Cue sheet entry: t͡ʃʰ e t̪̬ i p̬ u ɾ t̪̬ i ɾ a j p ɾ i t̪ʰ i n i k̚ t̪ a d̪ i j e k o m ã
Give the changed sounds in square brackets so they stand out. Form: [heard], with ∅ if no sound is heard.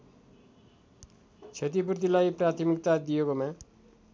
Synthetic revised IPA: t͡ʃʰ e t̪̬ i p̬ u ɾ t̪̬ i [l] a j p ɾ [a] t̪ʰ i [m] i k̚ t̪ a d̪ i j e k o m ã